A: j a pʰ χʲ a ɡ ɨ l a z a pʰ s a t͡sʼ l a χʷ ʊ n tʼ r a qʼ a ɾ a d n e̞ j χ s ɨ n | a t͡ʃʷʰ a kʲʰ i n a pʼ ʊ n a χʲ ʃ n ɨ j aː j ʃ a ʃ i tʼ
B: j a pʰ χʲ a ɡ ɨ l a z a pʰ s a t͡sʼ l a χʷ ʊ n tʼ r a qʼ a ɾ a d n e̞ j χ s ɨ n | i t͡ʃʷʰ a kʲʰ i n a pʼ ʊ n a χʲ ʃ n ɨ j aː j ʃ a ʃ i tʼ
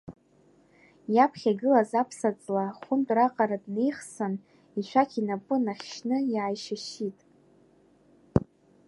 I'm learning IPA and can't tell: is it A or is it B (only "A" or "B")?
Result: B